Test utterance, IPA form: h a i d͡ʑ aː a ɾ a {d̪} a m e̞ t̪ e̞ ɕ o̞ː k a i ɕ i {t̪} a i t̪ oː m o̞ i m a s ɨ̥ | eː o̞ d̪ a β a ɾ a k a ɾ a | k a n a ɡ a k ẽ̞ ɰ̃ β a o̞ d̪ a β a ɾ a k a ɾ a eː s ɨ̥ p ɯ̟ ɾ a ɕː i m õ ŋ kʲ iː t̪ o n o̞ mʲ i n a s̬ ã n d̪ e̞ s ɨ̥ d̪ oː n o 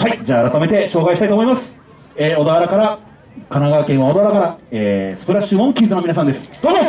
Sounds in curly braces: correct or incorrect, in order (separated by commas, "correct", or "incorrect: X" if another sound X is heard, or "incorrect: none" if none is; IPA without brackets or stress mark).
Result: incorrect: t̪, correct